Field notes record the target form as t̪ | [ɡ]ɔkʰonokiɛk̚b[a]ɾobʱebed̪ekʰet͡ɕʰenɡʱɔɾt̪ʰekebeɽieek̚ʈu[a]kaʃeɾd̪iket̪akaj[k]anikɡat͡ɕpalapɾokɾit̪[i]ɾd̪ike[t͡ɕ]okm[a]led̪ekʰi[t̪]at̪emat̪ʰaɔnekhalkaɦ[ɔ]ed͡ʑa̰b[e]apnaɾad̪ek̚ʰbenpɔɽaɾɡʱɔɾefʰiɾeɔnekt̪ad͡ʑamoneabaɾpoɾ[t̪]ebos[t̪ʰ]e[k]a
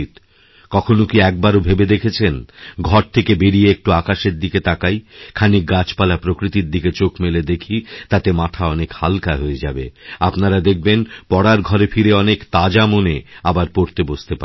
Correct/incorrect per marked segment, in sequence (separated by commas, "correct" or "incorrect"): incorrect, correct, correct, incorrect, correct, correct, incorrect, correct, incorrect, correct, correct, incorrect, incorrect